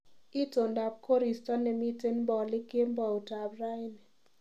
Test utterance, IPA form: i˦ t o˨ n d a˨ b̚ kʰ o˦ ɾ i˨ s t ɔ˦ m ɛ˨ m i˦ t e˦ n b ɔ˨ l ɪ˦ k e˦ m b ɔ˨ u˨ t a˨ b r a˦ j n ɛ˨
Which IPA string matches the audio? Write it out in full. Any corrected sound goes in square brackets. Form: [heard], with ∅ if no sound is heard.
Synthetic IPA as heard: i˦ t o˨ n d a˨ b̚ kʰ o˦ ɾ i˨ s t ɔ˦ [n] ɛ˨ m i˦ t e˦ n b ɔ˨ l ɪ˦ k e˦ m b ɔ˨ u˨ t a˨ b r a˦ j n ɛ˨